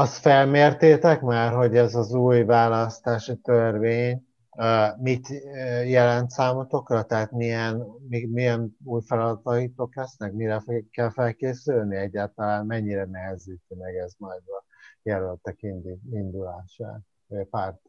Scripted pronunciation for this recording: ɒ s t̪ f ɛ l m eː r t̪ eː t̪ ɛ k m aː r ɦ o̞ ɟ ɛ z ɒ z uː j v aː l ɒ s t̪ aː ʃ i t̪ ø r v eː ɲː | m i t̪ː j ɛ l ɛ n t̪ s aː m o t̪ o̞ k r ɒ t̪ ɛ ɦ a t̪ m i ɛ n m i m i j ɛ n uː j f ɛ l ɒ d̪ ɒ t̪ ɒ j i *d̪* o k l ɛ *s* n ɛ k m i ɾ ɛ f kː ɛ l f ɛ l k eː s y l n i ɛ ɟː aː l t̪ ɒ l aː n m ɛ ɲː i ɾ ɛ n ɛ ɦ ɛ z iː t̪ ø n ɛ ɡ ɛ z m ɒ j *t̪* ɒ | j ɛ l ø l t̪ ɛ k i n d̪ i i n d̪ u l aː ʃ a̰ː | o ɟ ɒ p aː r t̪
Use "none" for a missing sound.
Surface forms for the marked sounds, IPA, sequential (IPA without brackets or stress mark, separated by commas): t̪, s, d̪